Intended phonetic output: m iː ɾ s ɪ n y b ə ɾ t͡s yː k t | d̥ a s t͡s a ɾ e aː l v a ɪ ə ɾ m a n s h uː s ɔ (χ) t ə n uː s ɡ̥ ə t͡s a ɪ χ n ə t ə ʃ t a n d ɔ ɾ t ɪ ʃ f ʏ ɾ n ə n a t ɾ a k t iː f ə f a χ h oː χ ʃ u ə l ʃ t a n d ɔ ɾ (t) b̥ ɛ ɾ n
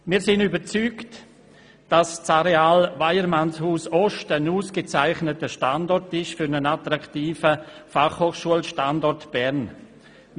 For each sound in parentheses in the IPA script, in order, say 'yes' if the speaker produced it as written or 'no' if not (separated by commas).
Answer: no, yes